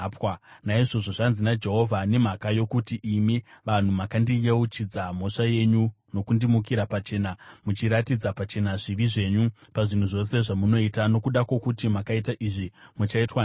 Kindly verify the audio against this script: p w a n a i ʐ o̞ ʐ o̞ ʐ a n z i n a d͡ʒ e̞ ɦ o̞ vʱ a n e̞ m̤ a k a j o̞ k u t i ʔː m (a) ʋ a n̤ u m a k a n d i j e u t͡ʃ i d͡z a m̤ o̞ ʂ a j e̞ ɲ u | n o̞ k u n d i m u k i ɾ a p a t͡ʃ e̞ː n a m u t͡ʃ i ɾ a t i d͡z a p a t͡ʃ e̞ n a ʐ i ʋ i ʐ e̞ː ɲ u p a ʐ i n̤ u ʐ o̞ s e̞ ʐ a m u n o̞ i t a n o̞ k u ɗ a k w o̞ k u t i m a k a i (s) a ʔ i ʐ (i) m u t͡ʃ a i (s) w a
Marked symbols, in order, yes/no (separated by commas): no, no, yes, no